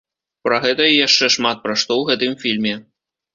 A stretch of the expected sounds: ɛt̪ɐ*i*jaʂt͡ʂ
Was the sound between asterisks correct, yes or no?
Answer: yes